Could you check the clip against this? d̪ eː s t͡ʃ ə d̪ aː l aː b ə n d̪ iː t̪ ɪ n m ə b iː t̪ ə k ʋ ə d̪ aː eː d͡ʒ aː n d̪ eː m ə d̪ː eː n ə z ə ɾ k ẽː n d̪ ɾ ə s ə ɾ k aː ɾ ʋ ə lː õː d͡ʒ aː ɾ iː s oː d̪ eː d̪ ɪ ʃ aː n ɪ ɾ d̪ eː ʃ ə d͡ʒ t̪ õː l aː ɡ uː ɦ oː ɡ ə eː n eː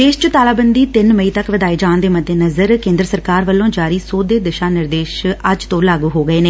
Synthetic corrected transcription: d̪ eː ʃ t͡ʃ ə t̪ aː l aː b ə n d̪ iː t̪ ɪ n m ə iː t̪ ə k ʋ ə d̪ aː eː d͡ʒ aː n d̪ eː m ə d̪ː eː n ə z ə ɾ k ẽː n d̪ ɾ ə s ə ɾ k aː ɾ ʋ ə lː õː d͡ʒ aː ɾ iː s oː d̪ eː d̪ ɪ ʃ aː n ɪ ɾ d̪ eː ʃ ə d͡ʒ t̪ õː l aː ɡ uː ɦ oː ɡ ə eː n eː

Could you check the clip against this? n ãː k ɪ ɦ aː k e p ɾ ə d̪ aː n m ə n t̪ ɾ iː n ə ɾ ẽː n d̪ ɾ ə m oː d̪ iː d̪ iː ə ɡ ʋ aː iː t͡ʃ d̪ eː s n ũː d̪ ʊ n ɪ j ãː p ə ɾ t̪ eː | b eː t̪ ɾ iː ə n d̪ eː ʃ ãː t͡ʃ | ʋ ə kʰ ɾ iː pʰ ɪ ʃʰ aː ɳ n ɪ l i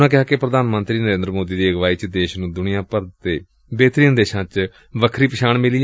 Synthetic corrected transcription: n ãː k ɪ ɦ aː k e p ɾ ə d̪ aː n m ə n t̪ ɾ iː n ə ɾ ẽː n d̪ ɾ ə m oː d̪ iː d̪ iː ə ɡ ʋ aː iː t͡ʃ d̪ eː ʃ n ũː d̪ ʊ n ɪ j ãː p ə ɾ t̪ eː | b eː t̪ ɾ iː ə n d̪ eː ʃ ãː t͡ʃ | ʋ ə kʰ ɾ iː p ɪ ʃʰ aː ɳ m ɪ l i

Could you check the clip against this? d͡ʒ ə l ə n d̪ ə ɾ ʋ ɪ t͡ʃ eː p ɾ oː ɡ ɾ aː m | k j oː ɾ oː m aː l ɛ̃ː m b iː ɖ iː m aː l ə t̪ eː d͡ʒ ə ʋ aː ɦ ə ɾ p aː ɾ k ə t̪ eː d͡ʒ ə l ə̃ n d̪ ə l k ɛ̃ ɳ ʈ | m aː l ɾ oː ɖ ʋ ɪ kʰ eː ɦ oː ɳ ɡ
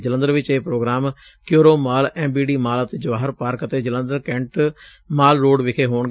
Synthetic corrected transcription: d͡ʒ ə l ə n d̪ ə ɾ ʋ ɪ t͡ʃ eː p ɾ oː ɡ ɾ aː m | k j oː ɾ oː m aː l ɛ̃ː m b iː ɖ iː m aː l ə t̪ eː d͡ʒ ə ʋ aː ɦ ə ɾ p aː ɾ k ə t̪ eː d͡ʒ ə l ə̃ n d̪ ə ɾ k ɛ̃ ɳ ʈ | m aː l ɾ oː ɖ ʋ ɪ kʰ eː ɦ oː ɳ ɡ

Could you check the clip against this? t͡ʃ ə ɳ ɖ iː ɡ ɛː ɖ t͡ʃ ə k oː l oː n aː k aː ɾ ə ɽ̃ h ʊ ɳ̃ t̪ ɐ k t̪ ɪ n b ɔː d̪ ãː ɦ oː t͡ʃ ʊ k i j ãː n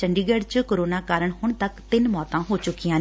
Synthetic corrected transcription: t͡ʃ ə ɳ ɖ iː ɡ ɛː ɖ t͡ʃ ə k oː ɾ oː n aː k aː ɾ ə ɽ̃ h ʊ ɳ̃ t̪ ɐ k t̪ ɪ n m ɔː t̪ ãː ɦ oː t͡ʃ ʊ k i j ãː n

